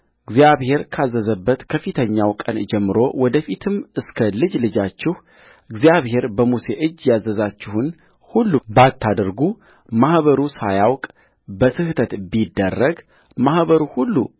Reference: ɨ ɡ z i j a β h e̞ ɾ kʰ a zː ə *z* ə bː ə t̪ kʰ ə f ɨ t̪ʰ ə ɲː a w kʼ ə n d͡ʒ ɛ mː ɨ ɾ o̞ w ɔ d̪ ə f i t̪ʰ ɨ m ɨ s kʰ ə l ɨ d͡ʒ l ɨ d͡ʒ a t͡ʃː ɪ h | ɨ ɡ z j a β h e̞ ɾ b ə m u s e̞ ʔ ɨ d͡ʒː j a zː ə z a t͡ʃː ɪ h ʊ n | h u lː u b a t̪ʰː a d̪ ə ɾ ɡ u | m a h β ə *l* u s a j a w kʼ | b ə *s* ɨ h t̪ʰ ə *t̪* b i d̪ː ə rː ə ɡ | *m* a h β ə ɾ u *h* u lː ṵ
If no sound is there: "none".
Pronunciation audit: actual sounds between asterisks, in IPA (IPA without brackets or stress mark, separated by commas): z, ɾ, s, t̪, m, h